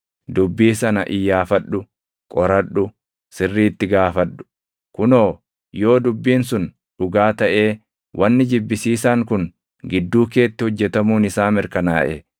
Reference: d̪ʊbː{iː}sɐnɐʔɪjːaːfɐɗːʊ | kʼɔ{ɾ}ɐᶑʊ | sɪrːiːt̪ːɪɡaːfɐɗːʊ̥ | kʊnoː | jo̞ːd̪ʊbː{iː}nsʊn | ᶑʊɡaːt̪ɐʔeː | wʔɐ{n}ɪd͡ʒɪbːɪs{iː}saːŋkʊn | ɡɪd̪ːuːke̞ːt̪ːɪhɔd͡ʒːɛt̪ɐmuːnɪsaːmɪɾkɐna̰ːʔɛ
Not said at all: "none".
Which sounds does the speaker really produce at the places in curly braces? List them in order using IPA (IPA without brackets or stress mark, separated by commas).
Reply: iː, ɾ, iː, nː, iː